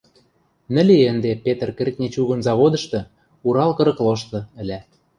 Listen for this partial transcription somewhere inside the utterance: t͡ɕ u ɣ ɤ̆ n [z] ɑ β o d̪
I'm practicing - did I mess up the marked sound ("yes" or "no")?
no